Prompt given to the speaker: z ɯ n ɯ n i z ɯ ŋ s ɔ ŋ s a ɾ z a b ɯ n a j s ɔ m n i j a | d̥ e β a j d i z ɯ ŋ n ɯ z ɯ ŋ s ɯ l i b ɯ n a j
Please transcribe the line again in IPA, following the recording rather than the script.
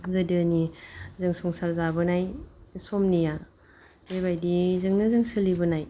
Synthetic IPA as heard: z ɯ d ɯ n i z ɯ ŋ s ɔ ŋ s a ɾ z a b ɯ n a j s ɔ m n i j a | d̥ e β a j d i z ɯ ŋ n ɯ z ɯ ŋ s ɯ l i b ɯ n a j

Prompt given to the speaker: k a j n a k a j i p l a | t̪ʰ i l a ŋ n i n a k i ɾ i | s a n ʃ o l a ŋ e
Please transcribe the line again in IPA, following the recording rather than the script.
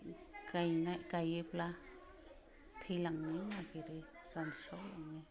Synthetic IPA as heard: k a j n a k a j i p l a | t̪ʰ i l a ŋ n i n a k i ɾ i | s a n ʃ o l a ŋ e

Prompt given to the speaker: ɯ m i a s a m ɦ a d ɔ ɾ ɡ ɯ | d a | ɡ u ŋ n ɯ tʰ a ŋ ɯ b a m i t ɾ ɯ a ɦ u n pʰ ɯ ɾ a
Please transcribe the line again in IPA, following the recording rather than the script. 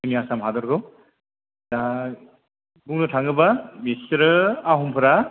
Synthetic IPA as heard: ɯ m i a s a m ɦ a d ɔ ɾ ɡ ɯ | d a | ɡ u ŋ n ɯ tʰ a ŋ ɯ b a m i s ɾ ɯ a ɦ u m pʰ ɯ ɾ a

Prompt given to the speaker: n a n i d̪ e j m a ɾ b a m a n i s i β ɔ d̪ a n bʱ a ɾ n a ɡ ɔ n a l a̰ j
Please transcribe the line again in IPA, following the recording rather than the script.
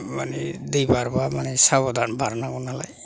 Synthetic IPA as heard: m a n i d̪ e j b a ɾ b a m a n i s a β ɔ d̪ a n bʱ a ɾ n a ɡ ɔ n a l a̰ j

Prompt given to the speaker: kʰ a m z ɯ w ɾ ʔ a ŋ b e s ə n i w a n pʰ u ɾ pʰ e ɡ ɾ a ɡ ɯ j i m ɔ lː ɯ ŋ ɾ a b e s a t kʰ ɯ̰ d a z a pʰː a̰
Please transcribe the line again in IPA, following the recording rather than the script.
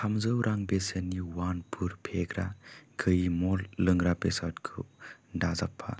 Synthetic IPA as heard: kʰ a m z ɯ w ɾ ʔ a ŋ b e s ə n i w a n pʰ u ɾ pʰ e ɡ ɾ a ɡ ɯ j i m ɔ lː ɯ ŋ ɾ a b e s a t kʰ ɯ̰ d a z a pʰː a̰

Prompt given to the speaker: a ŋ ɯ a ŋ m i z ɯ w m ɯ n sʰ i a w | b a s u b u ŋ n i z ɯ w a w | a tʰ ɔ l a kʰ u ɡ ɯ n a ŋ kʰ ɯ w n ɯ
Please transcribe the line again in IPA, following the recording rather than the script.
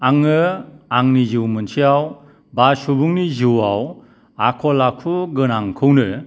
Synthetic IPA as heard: a ŋ ɯ a ŋ n i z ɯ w m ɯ n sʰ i a w | b a s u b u ŋ n i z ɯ w a w | a kʰ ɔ l a kʰ u ɡ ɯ n a ŋ kʰ ɯ w n ɯ

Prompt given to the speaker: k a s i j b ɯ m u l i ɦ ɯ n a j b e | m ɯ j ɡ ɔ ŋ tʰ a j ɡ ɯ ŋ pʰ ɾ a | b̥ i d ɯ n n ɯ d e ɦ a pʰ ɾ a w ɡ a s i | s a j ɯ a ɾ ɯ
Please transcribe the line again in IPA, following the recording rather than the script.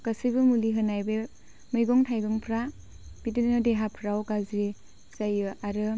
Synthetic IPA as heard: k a s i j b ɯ m u l i ɦ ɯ n a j b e | m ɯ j ɡ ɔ ŋ tʰ a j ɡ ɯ ŋ pʰ ɾ a | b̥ i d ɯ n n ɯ d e ɦ a pʰ ɾ a w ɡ a z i | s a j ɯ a ɾ ɯ

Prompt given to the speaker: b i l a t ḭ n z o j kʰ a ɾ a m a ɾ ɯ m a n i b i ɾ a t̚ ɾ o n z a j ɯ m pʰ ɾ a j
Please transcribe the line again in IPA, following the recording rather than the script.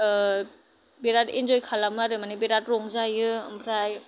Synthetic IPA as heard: b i ɾ a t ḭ n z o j kʰ a l a m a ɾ ɯ m a n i b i ɾ a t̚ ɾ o ŋ z a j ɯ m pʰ ɾ a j

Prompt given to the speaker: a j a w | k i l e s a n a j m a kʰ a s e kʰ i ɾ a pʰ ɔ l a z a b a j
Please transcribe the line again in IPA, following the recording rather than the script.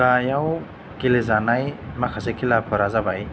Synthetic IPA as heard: a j a w | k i l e z a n a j m a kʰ a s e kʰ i l a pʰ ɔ ɾ a z a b a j

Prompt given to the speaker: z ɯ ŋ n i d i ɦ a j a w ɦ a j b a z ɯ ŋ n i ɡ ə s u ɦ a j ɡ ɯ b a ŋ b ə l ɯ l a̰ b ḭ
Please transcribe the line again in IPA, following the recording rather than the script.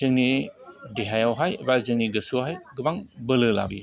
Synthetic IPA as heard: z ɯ ŋ n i d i ɦ a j a w ɦ a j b a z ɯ ŋ n i ɡ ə s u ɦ a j ɡ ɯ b a ŋ b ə l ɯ l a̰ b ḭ

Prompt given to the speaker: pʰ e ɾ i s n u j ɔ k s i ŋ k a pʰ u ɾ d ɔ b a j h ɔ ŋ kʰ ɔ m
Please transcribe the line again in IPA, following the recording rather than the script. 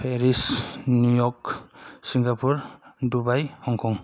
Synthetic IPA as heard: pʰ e ɾ i s n u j ɔ k s i ŋ ɡ a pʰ u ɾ d u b a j h ɔ ŋ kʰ ɔ ŋ

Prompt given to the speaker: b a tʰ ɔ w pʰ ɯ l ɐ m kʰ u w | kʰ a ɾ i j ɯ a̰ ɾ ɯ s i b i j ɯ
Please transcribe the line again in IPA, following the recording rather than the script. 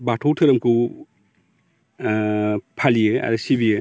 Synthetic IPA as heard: b a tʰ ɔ w tʰ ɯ ɾ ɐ m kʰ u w | pʰ a l i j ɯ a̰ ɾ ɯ s i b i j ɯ

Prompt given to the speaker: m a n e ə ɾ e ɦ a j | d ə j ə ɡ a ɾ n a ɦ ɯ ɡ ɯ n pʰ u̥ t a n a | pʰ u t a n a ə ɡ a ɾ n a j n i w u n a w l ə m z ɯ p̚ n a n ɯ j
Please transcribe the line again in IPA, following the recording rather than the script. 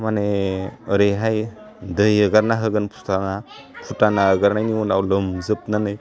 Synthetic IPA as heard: m a n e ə ɾ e ɦ a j | d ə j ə ɡ a ɾ n a ɦ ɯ ɡ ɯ n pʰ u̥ t a n a | pʰ u t a n a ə ɡ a ɾ n a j n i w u n a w l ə m z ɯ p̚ n a n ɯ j

